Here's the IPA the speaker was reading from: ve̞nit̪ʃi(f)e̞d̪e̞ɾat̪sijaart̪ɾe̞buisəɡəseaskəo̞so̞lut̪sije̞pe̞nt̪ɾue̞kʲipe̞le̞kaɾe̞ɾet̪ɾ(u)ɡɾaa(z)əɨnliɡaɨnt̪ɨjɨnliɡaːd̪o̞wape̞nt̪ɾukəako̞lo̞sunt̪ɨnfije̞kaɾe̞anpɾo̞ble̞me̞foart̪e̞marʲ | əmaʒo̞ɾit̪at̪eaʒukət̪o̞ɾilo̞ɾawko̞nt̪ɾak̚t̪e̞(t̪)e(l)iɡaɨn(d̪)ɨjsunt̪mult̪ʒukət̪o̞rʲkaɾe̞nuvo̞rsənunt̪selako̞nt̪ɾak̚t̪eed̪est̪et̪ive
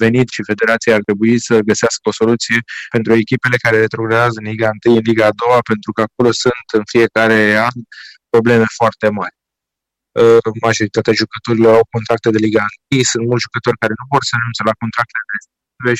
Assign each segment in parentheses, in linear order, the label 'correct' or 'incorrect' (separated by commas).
correct, incorrect, correct, incorrect, correct, incorrect